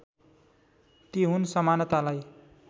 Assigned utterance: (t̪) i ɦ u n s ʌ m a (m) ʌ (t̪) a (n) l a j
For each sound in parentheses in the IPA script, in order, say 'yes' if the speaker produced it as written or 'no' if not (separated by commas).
yes, no, yes, no